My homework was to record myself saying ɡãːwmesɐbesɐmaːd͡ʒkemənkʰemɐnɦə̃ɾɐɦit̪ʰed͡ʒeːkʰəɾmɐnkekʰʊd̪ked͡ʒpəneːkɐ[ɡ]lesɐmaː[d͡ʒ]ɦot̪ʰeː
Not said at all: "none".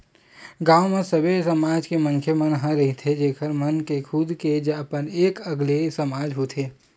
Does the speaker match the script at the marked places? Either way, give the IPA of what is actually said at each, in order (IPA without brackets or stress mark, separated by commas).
ɡ, d͡ʒ